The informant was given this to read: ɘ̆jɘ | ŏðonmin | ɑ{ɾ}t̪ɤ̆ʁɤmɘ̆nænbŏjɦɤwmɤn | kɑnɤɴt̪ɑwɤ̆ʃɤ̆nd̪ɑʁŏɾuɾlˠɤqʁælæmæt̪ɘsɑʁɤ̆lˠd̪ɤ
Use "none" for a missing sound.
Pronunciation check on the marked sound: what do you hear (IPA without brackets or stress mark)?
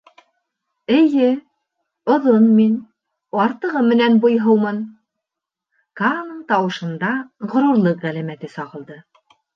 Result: ɾ